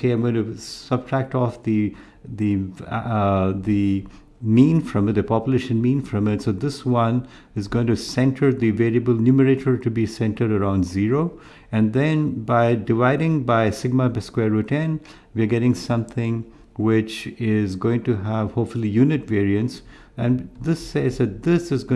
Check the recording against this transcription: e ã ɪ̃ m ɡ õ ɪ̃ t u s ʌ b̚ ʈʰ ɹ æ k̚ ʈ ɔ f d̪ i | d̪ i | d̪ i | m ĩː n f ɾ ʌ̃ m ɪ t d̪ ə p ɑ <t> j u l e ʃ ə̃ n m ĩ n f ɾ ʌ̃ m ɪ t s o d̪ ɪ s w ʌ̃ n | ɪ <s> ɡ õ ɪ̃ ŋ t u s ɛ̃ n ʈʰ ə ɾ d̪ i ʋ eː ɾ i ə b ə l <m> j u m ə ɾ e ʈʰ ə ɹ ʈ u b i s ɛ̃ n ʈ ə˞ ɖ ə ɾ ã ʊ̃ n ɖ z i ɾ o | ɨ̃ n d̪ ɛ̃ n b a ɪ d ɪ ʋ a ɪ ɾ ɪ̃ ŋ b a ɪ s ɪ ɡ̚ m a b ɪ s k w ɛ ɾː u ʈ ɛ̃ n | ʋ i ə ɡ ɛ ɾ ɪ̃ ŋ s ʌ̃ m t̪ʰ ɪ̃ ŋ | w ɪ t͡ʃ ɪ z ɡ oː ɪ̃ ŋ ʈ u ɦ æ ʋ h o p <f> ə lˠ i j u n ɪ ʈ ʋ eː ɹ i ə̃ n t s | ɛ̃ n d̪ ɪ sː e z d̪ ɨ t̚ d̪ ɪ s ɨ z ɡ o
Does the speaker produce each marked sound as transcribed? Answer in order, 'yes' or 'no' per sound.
no, no, no, yes

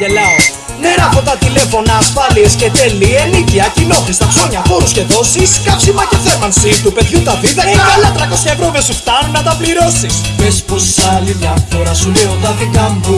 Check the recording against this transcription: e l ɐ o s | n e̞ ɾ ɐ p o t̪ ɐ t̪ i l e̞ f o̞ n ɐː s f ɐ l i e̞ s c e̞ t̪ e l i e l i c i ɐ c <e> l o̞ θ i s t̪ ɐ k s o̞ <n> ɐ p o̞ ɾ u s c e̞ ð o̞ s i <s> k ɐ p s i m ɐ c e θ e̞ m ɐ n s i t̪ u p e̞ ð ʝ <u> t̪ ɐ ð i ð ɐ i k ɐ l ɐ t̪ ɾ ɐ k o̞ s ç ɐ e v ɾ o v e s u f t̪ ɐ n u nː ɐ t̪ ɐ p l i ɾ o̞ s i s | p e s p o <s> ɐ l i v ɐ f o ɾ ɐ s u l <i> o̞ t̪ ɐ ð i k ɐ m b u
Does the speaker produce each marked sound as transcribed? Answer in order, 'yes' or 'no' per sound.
no, no, yes, yes, yes, no

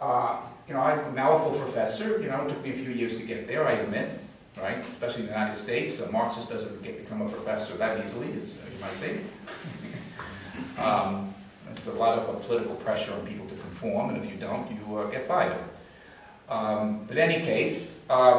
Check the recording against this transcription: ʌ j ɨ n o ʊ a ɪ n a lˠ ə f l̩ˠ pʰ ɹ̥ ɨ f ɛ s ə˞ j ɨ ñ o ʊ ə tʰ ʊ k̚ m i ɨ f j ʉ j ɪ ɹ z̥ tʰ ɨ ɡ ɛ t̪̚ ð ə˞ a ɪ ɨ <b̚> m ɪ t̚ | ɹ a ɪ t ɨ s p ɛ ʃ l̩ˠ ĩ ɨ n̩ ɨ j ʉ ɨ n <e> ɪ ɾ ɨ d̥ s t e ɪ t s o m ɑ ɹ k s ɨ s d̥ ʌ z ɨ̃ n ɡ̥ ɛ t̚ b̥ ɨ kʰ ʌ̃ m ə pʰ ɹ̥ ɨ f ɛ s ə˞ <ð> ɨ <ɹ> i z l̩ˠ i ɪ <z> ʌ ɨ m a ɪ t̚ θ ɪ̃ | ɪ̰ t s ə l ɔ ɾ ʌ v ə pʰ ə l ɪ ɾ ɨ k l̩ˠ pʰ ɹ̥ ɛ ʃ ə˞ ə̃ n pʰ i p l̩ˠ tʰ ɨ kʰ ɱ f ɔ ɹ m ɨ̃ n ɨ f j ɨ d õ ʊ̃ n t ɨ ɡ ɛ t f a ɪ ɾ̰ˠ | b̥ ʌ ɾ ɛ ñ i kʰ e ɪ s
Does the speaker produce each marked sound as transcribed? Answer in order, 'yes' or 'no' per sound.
no, no, yes, no, yes

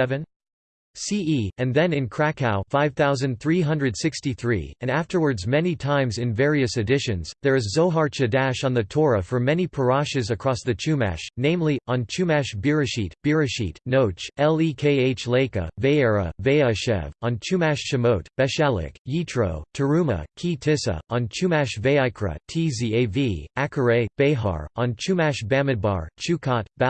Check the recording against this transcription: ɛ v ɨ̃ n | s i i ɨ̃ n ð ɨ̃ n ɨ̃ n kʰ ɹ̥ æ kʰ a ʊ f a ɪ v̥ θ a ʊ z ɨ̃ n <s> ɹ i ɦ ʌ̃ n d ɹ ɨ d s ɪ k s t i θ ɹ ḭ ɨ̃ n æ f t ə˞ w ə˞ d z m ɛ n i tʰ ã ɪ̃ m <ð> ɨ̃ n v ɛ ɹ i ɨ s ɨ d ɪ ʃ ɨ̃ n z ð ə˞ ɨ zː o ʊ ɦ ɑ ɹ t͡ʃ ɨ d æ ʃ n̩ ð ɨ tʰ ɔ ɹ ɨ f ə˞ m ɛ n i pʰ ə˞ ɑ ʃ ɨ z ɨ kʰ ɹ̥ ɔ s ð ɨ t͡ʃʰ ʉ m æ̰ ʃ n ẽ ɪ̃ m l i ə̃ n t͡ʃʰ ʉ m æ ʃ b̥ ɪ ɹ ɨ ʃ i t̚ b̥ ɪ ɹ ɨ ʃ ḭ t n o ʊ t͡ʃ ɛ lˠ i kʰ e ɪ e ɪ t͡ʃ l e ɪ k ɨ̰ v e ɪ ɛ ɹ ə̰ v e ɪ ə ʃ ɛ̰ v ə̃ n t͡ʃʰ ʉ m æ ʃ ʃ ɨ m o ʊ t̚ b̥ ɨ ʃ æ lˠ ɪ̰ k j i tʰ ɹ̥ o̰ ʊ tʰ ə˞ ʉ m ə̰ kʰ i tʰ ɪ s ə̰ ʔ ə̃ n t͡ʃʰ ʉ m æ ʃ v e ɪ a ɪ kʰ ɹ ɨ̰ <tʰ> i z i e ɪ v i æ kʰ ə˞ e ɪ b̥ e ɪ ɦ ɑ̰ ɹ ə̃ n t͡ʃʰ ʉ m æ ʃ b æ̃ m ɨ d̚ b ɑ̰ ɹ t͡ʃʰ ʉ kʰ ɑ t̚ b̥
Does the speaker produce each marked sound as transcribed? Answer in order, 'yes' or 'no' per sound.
no, no, yes

